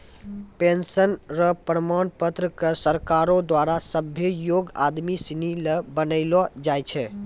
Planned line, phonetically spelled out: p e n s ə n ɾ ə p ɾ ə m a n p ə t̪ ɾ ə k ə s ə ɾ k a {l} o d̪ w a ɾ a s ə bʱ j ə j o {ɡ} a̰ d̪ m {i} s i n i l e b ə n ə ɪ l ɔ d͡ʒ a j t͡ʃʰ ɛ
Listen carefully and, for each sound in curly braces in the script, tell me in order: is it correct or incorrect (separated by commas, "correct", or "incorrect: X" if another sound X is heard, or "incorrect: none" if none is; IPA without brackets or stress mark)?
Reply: incorrect: ɾ, correct, correct